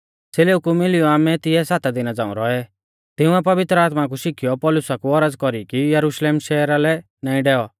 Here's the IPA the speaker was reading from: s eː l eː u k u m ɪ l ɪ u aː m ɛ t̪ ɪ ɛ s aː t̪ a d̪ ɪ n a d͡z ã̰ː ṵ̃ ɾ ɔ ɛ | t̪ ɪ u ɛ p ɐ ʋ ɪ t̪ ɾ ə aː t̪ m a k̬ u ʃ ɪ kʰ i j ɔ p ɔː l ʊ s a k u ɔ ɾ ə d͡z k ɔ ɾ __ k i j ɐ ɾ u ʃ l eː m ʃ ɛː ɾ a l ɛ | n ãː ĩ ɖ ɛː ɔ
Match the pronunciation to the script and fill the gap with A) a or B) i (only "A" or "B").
B